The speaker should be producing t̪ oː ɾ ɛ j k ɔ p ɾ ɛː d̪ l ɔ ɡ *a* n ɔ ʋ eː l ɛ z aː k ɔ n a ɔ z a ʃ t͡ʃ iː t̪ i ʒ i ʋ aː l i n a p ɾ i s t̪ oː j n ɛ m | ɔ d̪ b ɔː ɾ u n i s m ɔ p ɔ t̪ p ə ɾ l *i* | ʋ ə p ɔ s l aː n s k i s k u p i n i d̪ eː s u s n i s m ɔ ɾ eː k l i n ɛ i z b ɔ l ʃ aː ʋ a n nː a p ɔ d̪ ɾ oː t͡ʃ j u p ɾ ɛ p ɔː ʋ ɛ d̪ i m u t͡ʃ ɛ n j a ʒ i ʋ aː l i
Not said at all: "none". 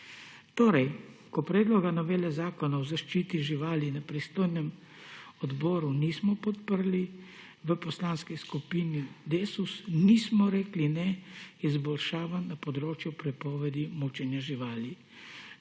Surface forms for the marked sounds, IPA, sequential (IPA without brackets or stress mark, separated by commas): a, i